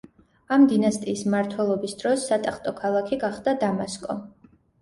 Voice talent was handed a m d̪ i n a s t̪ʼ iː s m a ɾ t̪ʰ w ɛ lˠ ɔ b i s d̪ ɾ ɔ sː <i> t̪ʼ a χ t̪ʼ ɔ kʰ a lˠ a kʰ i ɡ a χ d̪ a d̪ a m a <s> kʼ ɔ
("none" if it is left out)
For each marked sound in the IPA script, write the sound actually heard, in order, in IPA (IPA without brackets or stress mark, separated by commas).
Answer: a, s